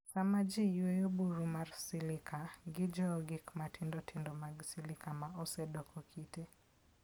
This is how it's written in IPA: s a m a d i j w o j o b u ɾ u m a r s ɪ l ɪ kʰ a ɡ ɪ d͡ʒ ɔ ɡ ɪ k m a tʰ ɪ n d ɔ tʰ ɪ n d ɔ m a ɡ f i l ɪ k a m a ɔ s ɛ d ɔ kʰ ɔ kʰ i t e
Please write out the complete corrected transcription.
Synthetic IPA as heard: s a m a d͡ʒ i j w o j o b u ɾ u m a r s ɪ l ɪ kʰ a ɡ ɪ d͡ʒ ɔ ɡ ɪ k m a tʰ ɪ n d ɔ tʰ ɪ n d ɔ m a ɡ s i l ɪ k a m a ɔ s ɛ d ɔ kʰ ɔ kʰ i t e